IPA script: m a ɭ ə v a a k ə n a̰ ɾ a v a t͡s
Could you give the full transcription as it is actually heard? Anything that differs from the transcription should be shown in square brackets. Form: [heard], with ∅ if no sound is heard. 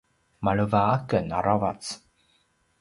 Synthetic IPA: m a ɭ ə v a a k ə n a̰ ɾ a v a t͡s